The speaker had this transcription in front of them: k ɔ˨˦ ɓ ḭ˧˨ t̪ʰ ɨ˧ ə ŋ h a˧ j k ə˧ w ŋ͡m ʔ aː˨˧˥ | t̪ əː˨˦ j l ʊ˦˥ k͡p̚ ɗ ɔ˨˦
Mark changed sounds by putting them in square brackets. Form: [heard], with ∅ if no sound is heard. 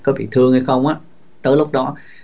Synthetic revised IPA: k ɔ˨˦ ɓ ḭ˧˨ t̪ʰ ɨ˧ ə ŋ h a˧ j [x] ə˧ w ŋ͡m ʔ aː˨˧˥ | t̪ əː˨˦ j l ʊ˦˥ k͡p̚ ɗ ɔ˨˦